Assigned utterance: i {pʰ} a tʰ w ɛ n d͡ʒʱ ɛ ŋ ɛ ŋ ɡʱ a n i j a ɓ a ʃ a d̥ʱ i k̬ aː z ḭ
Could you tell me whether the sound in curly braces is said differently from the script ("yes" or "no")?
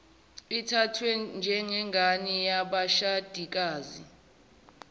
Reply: yes